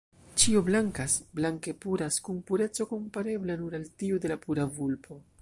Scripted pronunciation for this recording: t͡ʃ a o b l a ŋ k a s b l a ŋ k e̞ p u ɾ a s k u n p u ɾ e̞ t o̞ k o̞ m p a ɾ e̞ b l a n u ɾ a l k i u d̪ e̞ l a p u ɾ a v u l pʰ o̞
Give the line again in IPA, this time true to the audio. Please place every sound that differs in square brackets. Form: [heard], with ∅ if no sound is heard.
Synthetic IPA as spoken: t͡ʃ [i] o b l a ŋ k a s b l a ŋ k e̞ p u ɾ a s k u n p u ɾ e̞ [t͡s] o̞ k o̞ m p a ɾ e̞ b l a n u ɾ a l [t] i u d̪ e̞ l a p u ɾ a v u l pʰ o̞